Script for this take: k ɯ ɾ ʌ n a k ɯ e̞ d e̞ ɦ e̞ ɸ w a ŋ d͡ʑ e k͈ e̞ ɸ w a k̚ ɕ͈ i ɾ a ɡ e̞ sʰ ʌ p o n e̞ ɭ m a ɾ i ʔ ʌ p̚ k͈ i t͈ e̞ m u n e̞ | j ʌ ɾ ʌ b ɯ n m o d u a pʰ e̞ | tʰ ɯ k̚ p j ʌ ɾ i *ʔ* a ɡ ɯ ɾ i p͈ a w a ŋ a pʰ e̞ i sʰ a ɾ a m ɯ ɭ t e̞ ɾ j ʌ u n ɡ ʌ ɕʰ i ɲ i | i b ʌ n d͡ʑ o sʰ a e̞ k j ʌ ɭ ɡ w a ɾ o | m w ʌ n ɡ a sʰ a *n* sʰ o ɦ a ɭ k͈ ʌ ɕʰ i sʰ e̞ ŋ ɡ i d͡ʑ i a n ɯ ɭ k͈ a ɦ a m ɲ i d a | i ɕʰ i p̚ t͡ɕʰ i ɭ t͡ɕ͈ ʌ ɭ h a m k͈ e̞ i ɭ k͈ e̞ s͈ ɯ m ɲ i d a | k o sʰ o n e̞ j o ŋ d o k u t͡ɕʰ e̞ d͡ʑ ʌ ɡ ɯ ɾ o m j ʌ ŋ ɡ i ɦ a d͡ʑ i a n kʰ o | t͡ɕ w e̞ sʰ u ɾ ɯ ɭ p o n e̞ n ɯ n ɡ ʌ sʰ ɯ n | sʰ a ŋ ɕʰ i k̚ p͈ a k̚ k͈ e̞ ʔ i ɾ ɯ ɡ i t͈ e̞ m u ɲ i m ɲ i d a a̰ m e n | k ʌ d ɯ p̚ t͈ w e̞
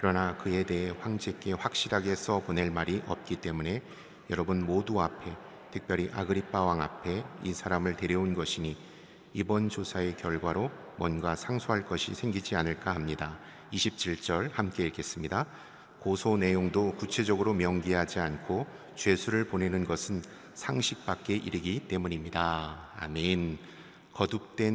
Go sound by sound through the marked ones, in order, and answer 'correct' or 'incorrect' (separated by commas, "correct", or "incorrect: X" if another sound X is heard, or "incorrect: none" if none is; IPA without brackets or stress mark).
correct, incorrect: ŋ